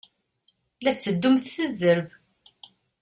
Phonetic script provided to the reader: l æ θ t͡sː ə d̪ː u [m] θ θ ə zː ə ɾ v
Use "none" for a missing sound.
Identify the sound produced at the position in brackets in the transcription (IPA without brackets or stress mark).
m